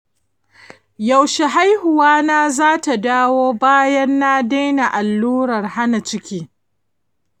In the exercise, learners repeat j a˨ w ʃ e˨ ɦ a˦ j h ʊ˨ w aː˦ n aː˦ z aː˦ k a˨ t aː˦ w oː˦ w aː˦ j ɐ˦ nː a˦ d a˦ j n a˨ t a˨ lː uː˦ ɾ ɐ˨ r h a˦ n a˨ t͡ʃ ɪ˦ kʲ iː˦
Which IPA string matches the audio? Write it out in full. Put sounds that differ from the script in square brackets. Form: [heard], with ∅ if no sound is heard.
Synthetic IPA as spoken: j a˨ w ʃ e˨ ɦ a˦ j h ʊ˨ w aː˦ n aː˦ z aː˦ [t] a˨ [d] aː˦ w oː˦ [b] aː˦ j ɐ˦ nː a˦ d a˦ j n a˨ [ʔ] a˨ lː uː˦ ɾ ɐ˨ r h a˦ n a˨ t͡ʃ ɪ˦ kʲ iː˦